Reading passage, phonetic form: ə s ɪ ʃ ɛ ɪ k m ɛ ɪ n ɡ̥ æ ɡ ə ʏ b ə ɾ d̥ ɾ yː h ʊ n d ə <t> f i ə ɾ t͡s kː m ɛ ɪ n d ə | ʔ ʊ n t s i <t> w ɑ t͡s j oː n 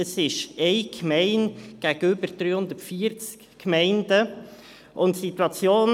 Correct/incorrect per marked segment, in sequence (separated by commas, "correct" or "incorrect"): correct, correct